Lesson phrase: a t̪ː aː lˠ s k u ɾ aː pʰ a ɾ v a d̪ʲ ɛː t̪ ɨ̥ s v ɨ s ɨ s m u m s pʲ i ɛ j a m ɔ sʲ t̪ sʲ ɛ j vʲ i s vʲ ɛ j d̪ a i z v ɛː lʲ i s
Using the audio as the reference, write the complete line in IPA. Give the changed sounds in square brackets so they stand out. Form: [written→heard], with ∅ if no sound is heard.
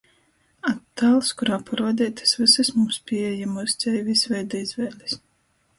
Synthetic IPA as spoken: a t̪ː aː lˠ s k u ɾ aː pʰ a ɾ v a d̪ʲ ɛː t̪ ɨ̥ s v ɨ s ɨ s m u m s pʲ i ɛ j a m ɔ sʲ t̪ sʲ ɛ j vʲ i s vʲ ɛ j d̪ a i z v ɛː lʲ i s